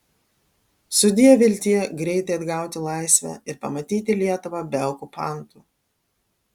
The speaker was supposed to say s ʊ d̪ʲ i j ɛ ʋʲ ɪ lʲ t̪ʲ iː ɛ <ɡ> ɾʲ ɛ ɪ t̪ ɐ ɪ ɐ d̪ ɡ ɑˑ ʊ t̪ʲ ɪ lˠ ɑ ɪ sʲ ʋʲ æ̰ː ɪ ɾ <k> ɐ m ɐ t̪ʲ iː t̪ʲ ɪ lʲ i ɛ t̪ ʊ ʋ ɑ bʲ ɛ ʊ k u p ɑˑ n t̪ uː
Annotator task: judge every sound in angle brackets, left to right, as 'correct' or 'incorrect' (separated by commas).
correct, incorrect